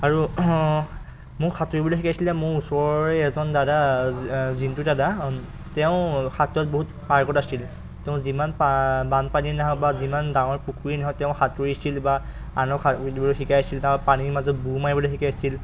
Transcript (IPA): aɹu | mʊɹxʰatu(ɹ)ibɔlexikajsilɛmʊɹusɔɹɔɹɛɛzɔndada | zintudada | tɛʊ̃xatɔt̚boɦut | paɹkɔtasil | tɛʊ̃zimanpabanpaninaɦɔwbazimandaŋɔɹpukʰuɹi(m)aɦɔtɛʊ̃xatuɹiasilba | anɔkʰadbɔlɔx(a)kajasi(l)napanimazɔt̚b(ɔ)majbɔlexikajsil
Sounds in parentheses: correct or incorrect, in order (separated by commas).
correct, incorrect, incorrect, correct, incorrect